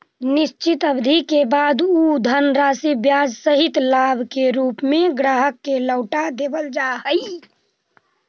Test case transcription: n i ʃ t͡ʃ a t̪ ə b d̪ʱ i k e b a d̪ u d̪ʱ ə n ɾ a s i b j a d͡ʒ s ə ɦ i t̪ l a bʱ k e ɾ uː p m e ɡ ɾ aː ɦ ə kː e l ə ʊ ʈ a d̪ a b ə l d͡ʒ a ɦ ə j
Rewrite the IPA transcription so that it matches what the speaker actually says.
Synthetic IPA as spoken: n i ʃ t͡ʃ i t̪ ə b d̪ʱ i k e b a d̪ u d̪ʱ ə n ɾ a s i b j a d͡ʒ s ə ɦ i t̪ l a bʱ k e ɾ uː p m e ɡ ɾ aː ɦ ə kː e l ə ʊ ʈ a d̪ e b ə l d͡ʒ a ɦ ə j